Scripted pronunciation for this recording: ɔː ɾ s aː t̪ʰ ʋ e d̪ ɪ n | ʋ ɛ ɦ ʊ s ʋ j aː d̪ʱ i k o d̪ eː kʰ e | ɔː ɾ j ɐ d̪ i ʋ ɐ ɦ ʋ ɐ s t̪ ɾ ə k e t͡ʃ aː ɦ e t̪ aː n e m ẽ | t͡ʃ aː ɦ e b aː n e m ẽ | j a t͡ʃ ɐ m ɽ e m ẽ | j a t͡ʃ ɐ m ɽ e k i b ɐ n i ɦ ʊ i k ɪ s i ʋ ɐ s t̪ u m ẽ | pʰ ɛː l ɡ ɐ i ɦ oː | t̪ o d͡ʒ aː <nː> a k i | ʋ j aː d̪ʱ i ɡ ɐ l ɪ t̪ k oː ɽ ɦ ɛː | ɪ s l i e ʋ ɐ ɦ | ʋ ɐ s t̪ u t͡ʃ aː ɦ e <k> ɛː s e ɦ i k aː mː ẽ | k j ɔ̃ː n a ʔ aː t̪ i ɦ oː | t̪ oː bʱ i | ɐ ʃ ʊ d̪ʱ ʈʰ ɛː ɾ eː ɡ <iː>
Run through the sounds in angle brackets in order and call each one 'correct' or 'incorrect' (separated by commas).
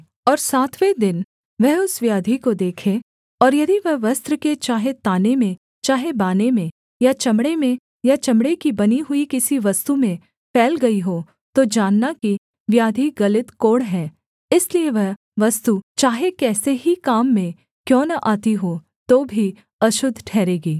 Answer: correct, correct, correct